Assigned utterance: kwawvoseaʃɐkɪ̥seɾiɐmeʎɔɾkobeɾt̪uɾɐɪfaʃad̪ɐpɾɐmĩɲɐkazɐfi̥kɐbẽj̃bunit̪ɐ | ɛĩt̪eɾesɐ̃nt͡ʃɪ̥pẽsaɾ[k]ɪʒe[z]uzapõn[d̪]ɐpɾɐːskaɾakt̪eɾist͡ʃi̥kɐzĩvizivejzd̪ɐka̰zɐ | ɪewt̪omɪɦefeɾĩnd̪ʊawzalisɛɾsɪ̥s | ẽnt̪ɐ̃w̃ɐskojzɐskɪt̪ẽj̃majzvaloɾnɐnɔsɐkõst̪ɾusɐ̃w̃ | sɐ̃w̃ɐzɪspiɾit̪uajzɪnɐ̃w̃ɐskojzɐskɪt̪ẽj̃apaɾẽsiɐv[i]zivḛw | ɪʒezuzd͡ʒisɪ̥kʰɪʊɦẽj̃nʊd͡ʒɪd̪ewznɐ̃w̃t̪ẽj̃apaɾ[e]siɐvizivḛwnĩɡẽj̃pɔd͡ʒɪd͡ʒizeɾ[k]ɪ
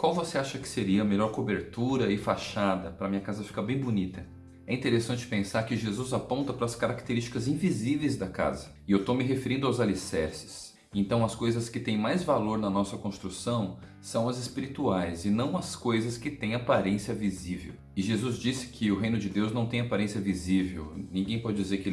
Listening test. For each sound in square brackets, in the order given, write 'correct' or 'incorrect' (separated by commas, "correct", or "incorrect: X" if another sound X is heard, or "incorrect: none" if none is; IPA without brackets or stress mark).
correct, correct, incorrect: t̪, correct, incorrect: ẽ, correct